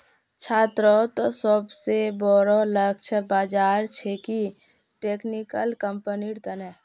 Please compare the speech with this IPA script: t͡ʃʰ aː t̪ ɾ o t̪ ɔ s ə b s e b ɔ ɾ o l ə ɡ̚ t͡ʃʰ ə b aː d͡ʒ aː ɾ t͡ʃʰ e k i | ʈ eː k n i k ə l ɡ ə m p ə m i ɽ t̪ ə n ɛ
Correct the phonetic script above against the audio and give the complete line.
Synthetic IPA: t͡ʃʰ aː t̪ ɾ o t̪ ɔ s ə b s e b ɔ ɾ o l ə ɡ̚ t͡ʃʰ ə b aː d͡ʒ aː ɾ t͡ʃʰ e k i | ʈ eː k n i k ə l k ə m p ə n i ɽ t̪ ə n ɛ